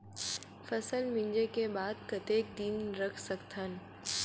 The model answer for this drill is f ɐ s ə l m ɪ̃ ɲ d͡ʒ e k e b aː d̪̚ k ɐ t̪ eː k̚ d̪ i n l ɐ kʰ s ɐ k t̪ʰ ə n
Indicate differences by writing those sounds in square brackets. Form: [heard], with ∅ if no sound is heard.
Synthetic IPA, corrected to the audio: f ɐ s ə l m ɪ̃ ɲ d͡ʒ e k e b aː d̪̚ k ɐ t̪ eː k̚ d̪ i n [ɾ] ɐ kʰ s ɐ k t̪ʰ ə n